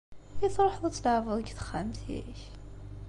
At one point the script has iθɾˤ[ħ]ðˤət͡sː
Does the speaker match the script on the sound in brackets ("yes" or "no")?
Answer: yes